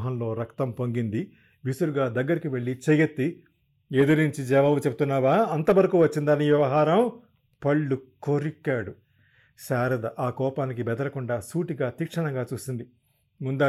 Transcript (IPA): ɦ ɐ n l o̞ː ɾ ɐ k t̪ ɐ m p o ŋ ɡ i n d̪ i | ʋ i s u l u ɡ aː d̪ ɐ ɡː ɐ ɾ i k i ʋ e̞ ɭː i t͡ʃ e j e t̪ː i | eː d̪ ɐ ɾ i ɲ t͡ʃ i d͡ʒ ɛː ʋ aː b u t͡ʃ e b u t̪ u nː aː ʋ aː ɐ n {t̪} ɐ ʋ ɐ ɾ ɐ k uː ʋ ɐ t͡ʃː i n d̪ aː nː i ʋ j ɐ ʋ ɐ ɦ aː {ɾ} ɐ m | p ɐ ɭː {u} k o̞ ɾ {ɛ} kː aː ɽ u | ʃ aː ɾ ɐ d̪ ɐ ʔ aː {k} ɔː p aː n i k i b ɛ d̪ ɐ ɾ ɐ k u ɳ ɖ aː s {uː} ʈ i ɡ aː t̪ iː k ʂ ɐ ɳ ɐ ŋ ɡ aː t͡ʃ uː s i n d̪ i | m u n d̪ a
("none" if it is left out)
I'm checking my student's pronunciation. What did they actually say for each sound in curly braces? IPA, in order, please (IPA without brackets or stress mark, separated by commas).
t̪, ɾ, u, i, k, uː